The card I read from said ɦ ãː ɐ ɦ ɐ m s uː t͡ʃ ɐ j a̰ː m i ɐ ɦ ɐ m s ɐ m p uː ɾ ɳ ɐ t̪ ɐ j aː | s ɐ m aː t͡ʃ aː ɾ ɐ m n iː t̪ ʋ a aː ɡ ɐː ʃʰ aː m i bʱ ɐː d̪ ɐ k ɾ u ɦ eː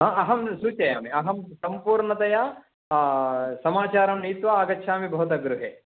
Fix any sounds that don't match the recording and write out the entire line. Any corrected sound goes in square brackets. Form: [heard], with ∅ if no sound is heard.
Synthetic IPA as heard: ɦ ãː ɐ ɦ ɐ m s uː t͡ʃ ɐ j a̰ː m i ɐ ɦ ɐ m s ɐ m p uː ɾ ɳ ɐ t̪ ɐ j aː | s ɐ m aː t͡ʃ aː ɾ ɐ m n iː t̪ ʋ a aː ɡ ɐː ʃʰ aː m i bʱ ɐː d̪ ɐ [ɡ] ɾ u ɦ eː